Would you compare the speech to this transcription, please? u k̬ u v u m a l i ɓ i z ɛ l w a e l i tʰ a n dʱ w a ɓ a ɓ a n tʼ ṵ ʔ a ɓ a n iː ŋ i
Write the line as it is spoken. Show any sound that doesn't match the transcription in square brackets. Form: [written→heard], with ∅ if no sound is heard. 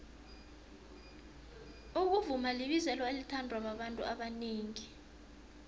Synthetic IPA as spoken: u k̬ u v u m a l i ɓ i z ɛ l w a e l i tʰ a n dʱ w a ɓ a ɓ a n tʼ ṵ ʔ a ɓ a n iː ŋ i